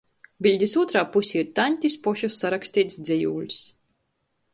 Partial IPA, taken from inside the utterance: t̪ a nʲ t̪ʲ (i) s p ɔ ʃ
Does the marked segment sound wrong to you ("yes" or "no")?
no